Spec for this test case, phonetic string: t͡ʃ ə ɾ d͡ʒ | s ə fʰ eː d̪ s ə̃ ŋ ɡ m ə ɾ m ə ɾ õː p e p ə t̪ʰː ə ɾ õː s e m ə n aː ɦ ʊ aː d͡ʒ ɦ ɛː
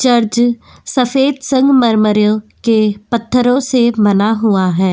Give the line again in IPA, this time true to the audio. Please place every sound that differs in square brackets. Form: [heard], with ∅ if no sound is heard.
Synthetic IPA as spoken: t͡ʃ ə ɾ d͡ʒ | s ə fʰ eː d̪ s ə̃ ŋ ɡ m ə ɾ m ə ɾ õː [k] e p ə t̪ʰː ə ɾ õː s e m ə n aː ɦ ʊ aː [∅] ɦ ɛː